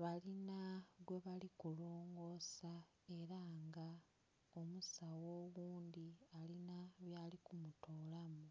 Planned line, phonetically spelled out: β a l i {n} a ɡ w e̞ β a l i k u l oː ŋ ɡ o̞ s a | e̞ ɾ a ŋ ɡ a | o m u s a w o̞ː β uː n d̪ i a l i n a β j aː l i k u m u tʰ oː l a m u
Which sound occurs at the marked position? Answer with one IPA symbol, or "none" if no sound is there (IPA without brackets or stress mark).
n